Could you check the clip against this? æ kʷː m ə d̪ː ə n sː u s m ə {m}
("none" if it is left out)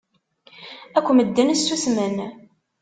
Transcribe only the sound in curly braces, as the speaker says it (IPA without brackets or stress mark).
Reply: n